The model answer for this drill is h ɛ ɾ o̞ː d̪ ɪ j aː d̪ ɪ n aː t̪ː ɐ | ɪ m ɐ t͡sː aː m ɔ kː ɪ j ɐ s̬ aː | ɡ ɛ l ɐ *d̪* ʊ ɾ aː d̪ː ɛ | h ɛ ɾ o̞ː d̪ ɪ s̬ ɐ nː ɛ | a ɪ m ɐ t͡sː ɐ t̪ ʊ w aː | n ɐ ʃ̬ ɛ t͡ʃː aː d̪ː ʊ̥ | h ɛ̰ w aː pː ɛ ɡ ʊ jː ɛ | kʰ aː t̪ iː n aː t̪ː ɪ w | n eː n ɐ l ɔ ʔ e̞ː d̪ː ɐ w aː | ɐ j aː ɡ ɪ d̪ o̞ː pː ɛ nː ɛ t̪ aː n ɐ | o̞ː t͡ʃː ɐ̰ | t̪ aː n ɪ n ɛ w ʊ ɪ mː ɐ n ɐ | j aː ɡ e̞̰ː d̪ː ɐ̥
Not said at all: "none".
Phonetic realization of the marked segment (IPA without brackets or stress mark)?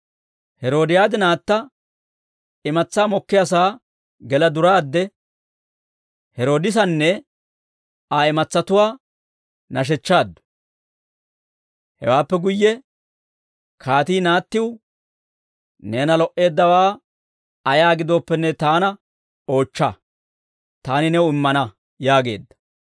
d̪